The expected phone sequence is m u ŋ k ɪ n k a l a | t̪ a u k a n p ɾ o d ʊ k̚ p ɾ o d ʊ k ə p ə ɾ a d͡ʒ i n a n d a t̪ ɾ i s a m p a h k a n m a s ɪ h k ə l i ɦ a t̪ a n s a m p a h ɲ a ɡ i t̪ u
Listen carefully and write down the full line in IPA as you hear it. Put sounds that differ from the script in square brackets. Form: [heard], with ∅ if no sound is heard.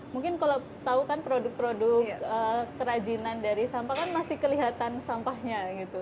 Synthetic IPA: m u ŋ k ɪ n k a l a | t̪ a u k a n p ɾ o d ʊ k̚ p ɾ o d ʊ k ə [k] ə ɾ a d͡ʒ i n a n d a [∅] ɾ i s a m p a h k a n m a s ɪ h k ə l i ɦ a t̪ a n s a m p a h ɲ a ɡ i t̪ u